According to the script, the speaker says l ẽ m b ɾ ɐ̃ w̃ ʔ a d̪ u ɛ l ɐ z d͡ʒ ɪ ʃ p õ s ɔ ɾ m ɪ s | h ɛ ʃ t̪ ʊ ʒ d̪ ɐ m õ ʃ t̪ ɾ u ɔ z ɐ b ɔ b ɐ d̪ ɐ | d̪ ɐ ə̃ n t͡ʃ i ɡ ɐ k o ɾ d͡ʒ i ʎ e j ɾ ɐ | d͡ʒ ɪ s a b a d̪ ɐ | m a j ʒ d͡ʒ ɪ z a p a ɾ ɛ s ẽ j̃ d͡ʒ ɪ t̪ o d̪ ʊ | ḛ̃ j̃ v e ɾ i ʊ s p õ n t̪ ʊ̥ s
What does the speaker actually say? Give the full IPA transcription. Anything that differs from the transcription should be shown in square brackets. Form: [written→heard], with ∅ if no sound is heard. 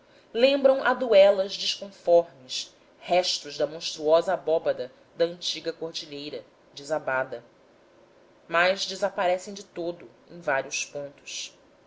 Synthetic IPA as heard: l ẽ m b ɾ ɐ̃ w̃ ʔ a d̪ u ɛ l ɐ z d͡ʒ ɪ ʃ [p→k] õ [s→f] ɔ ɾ m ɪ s | h ɛ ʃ t̪ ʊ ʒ d̪ ɐ m õ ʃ t̪ ɾ u ɔ z ɐ b ɔ b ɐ d̪ ɐ | d̪ ɐ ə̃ n t͡ʃ i ɡ ɐ k o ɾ d͡ʒ i ʎ e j ɾ ɐ | d͡ʒ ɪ [s→z] a b a d̪ ɐ | m a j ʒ d͡ʒ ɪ z a p a ɾ ɛ s ẽ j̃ d͡ʒ ɪ t̪ o d̪ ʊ | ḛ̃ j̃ v [e→a] ɾ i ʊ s p õ n t̪ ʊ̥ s

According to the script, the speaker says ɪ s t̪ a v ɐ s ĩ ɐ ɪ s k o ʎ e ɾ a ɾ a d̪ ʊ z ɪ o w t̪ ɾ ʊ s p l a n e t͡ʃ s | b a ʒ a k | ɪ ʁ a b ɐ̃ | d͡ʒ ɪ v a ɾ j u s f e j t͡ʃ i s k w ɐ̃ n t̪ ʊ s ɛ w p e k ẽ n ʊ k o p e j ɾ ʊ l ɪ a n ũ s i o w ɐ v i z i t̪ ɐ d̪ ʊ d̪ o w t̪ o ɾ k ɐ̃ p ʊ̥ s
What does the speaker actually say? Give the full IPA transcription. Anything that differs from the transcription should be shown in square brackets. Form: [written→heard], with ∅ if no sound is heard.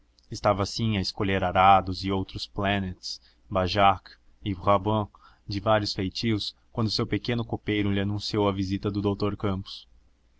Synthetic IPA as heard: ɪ s t̪ a v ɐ s ĩ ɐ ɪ s k o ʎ e ɾ a ɾ a d̪ ʊ z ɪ o w t̪ ɾ ʊ s p l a n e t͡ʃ s | b a ʒ a k | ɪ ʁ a b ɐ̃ | d͡ʒ ɪ v a ɾ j [u→ʊ] s f e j t͡ʃ i s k w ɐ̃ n [t̪→d̪] ʊ s [ɛ→e] w p e k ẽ n ʊ k o p e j ɾ ʊ l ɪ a n ũ s i o w ɐ v i z i t̪ ɐ d̪ ʊ d̪ o w t̪ o ɾ k ɐ̃ p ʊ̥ s

